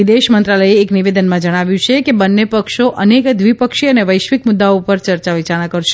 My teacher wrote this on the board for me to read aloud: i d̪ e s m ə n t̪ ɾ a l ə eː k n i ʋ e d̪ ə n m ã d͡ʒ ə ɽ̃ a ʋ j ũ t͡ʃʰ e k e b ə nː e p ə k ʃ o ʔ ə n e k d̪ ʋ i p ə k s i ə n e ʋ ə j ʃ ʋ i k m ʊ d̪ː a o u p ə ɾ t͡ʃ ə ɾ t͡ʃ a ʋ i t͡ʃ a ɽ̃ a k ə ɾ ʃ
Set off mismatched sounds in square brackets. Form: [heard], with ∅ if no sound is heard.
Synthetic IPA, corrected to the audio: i d̪ e [ʃ] m ə n t̪ ɾ a l ə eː k n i ʋ e d̪ ə n m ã d͡ʒ ə ɽ̃ a ʋ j ũ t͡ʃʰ e k e b ə nː e p ə k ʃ o ʔ ə n e k d̪ ʋ i p ə k [ʃ] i ə n e ʋ ə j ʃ ʋ i k m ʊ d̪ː a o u p ə ɾ t͡ʃ ə ɾ t͡ʃ a ʋ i t͡ʃ a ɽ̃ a k ə ɾ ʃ